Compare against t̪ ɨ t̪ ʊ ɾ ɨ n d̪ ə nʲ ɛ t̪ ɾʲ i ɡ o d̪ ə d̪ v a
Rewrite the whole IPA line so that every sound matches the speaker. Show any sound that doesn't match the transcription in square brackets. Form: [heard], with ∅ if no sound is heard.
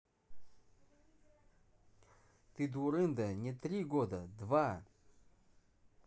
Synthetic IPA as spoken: t̪ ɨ [d̪] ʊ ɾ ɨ n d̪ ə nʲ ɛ t̪ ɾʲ i ɡ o d̪ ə d̪ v a